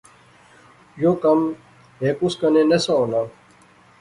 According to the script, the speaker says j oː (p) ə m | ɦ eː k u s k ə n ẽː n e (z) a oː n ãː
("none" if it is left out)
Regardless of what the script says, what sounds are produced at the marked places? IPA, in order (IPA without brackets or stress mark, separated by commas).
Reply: k, s